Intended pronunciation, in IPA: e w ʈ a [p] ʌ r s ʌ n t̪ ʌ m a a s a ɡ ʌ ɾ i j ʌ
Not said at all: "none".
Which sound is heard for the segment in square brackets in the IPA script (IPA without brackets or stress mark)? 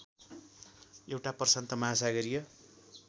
p